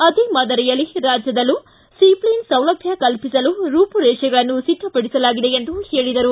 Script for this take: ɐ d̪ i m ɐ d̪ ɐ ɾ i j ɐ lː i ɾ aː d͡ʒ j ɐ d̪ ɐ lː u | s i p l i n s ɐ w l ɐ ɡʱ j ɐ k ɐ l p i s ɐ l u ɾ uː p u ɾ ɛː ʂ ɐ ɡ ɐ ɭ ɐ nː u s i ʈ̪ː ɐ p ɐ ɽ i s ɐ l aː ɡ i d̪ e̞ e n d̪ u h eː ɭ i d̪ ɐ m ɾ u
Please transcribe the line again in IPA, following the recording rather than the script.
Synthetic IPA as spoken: ɐ d̪ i m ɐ d̪ ɐ ɾ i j ɐ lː i ɾ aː d͡ʒ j ɐ d̪ ɐ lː u | s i p l i n s ɐ w l ɐ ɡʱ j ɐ k ɐ l p i s ɐ l u ɾ uː p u ɾ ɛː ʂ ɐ ɡ ɐ ɭ ɐ nː u s i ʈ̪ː ɐ p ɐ ɽ i s ɐ l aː ɡ i d̪ e̞ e n d̪ u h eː ɭ i d̪ ɐ ɾ u